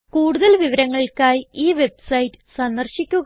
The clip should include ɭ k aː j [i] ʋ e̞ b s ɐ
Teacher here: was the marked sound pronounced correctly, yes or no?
no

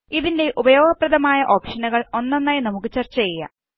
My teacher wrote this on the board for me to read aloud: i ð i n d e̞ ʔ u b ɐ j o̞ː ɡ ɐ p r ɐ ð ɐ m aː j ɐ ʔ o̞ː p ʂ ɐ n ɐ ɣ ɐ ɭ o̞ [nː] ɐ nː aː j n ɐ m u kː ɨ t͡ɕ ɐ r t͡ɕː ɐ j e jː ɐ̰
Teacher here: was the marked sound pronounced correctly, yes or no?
yes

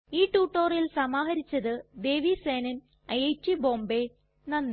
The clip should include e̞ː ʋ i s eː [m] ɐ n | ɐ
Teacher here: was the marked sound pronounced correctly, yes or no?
no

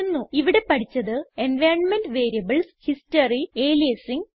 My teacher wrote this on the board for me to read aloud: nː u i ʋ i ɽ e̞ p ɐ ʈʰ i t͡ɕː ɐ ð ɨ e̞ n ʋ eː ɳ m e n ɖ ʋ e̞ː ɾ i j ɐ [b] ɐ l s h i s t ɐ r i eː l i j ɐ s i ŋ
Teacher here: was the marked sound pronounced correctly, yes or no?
yes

